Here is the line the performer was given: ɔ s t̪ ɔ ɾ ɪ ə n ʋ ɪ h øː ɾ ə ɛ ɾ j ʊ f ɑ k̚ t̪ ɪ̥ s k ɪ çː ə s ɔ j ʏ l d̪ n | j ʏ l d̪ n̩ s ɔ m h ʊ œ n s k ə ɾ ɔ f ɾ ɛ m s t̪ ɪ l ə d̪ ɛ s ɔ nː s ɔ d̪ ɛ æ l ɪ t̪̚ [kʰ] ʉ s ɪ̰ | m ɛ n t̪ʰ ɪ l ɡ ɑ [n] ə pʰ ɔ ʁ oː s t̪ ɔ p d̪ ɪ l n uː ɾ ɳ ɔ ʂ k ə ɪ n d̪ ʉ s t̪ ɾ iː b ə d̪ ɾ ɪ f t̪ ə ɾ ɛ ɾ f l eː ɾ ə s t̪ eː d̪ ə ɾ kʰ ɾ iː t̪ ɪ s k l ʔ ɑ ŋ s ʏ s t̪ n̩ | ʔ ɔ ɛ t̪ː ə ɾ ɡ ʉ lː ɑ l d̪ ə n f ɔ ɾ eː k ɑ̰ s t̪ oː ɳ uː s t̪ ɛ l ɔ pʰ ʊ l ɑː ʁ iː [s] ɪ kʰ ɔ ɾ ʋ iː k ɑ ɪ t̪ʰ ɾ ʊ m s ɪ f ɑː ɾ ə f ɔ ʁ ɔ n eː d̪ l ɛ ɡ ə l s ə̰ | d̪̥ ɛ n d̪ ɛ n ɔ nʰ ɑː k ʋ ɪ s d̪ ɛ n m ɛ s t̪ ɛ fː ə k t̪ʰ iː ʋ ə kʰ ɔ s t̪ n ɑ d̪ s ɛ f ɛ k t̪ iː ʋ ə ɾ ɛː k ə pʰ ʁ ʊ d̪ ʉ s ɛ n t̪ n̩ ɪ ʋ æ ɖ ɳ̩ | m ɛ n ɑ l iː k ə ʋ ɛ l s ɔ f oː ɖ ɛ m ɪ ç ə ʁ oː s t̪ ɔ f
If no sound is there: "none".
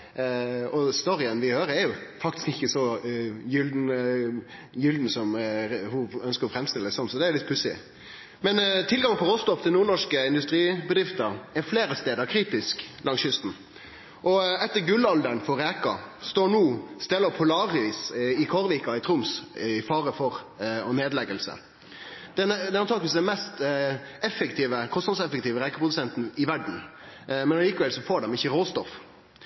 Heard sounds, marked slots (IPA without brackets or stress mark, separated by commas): pʰ, ŋ, s